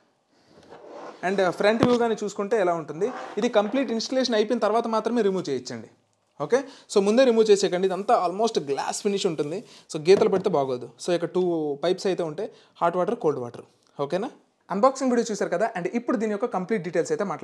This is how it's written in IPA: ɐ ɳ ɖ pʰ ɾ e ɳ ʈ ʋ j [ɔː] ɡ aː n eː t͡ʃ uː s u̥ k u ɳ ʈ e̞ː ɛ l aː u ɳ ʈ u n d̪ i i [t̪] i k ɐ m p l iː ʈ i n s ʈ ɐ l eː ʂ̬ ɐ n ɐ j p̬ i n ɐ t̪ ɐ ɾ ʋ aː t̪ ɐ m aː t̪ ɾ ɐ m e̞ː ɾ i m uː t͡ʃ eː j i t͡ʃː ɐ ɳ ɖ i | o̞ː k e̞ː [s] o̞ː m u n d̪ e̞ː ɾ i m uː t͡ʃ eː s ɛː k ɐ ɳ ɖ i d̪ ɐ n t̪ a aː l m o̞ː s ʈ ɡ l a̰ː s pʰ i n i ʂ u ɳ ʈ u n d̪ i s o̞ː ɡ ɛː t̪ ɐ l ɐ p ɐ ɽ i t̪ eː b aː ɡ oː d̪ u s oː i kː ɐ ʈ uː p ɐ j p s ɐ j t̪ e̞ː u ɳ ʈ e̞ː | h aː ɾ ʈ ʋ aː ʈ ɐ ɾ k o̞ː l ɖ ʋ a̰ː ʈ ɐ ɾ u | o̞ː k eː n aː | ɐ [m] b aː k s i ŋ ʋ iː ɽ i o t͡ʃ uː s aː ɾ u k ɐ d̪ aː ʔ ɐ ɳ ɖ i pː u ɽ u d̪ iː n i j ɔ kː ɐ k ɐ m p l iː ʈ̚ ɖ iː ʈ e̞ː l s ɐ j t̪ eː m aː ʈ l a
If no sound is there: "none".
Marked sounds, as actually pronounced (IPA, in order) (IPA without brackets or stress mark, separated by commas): uː, d̪, s, n